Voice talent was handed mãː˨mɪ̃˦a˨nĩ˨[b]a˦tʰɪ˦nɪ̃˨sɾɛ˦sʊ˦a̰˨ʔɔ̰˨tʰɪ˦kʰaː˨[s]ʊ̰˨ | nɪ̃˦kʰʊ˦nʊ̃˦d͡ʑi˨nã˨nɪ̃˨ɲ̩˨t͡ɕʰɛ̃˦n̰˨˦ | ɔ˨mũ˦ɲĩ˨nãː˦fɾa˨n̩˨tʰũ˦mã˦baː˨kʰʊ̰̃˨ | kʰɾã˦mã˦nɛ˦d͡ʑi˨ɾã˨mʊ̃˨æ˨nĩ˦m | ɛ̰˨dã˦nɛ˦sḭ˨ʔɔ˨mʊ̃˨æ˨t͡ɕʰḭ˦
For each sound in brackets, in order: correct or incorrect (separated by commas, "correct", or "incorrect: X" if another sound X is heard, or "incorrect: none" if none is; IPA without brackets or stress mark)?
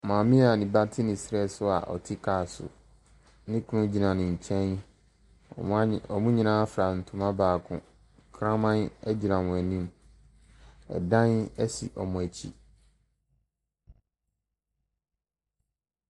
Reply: correct, correct